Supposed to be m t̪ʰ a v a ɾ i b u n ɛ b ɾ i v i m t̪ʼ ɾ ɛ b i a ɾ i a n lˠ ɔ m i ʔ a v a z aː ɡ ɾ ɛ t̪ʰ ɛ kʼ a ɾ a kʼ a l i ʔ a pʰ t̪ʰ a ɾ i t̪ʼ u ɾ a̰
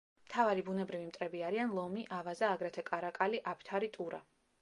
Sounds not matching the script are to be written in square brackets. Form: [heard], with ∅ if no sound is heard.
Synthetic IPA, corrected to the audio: m t̪ʰ a v a ɾ i b u n ɛ b ɾ i v i m t̪ʼ ɾ ɛ b i a ɾ i a n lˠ ɔ m i ʔ a v a z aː ɡ ɾ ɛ t̪ʰ ɛ kʼ a ɾ a kʼ a l i ʔ a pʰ t̪ʰ a ɾ i t̪ʼ u ɾ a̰